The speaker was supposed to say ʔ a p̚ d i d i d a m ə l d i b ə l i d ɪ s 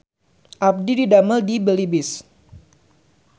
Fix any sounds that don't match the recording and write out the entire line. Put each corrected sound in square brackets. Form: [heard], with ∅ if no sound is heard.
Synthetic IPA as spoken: ʔ a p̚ d i d i d a m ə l d i b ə l i [b] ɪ s